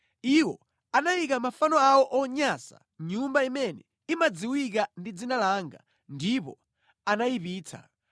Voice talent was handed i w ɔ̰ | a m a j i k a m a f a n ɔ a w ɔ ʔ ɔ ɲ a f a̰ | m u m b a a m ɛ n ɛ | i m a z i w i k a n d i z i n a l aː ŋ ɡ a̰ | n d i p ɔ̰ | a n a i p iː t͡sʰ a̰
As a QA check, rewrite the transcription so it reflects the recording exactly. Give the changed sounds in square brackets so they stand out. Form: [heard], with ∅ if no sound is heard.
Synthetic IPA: i w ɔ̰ | a [n] a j i k a m a f a n ɔ a w ɔ ʔ ɔ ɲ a [s] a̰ | [ɲ] u m b a [i] m ɛ n ɛ | i m a [d͡z] i w i k a n d i [d͡z] i n a l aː ŋ ɡ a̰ | n d i p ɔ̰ | a n a i p iː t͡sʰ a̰